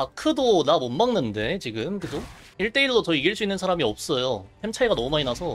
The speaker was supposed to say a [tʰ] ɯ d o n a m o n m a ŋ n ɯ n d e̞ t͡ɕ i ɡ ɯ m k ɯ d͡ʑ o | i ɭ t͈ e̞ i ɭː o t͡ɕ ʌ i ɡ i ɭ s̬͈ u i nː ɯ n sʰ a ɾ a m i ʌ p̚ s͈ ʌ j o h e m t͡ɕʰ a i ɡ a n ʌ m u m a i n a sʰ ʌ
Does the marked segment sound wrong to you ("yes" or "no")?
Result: yes